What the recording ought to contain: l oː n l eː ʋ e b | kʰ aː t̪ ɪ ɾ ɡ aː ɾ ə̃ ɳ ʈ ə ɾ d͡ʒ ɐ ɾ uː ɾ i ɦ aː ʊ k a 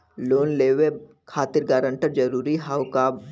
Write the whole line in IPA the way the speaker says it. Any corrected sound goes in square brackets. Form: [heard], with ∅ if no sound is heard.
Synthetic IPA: l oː n l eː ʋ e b | kʰ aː t̪ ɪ ɾ ɡ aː ɾ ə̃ ɳ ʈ ə ɾ d͡ʒ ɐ ɾ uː ɾ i ɦ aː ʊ k a

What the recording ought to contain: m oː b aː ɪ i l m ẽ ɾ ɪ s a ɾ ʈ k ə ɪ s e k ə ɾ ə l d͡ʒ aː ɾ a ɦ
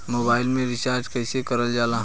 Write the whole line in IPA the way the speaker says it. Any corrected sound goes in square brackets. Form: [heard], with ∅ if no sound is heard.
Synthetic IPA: m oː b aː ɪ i l m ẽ ɾ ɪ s a ɾ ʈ k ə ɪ s e k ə ɾ ə l d͡ʒ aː [l] a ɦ

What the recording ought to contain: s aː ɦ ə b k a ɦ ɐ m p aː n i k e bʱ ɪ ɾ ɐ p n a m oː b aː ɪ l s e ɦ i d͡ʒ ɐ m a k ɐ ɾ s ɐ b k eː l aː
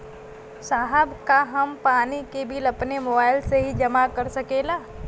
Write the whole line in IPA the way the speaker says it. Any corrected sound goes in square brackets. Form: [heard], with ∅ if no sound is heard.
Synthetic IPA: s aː ɦ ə b k a ɦ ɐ m p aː n i k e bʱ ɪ [l] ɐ p n [e] m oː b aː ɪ l s e ɦ i d͡ʒ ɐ m a k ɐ ɾ s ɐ [∅] k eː l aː

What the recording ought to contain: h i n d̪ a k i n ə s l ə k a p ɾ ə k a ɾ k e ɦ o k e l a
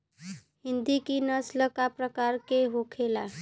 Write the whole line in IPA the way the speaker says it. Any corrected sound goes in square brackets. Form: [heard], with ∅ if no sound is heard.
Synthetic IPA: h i n d̪ [i] k i n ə s l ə k a p ɾ ə k a ɾ k e ɦ o [kʰ] e l a

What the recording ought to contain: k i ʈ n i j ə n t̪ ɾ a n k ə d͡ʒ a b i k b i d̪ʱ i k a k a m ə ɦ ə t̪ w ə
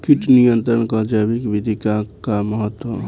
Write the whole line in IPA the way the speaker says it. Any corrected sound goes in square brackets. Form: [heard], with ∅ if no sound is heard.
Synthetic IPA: k i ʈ n i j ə n t̪ ɾ [ə] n k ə d͡ʒ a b i k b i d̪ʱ i k a k a m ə ɦ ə t̪ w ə

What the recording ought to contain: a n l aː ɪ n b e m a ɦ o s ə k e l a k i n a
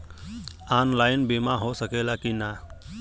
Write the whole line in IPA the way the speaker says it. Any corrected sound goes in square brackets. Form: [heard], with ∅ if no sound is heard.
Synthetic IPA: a n l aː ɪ n b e m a ɦ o s ə k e l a k i n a

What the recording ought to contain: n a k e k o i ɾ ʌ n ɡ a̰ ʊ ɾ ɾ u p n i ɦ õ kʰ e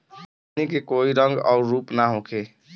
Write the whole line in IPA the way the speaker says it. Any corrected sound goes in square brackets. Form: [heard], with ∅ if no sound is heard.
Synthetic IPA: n [i] k e k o i ɾ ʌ [ŋ] ɡ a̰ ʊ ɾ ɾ u p n [a] ɦ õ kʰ e

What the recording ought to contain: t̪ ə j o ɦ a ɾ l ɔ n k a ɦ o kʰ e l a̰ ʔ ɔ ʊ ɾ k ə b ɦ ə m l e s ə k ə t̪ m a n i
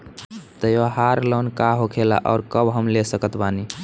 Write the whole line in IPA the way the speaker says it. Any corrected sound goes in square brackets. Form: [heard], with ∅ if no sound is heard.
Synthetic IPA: t̪ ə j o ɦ a ɾ l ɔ n k a ɦ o kʰ e l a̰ ʔ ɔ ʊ ɾ k ə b ɦ ə m l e s ə k ə t̪ [b] a n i

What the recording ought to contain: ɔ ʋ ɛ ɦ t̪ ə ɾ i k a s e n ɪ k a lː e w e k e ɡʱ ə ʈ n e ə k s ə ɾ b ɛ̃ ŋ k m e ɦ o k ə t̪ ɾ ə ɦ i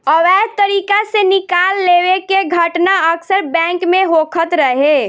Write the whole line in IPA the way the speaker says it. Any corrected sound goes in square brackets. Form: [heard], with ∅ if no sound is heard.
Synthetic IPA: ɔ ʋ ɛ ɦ t̪ ə ɾ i k a s e n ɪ k a lː e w e k e ɡʱ ə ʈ n [a] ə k s ə ɾ b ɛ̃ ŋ k m e ɦ o [kʰ] ə t̪ ɾ ə ɦ [e]

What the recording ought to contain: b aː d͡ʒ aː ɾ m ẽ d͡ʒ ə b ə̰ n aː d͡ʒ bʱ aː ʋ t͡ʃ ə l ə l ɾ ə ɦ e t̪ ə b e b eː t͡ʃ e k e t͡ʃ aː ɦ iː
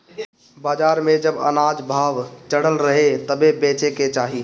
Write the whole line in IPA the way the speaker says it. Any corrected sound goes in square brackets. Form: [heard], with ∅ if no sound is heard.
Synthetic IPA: b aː d͡ʒ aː ɾ m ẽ d͡ʒ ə b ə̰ n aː d͡ʒ bʱ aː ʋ t͡ʃ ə [ɽ] ə l ɾ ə ɦ e t̪ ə b e b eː t͡ʃ e k e t͡ʃ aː ɦ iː

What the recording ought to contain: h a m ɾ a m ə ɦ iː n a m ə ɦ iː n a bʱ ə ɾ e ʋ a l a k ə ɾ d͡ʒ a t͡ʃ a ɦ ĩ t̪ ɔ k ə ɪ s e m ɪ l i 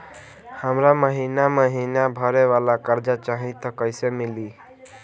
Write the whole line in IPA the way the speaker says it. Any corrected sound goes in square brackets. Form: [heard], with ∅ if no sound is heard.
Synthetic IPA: h [ə] m ɾ a m ə ɦ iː n a m ə ɦ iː n a bʱ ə ɾ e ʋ a l a k ə ɾ d͡ʒ a t͡ʃ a ɦ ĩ t̪ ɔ k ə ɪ s e m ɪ l i

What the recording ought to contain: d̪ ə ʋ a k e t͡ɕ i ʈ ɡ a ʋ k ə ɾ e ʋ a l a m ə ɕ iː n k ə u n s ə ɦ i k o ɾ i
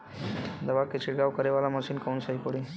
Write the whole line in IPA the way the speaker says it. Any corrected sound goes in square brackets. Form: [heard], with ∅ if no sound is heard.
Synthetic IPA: d̪ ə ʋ a k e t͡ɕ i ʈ ɡ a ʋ k ə ɾ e ʋ a l a m ə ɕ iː n k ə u n s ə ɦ i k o [ɽ] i

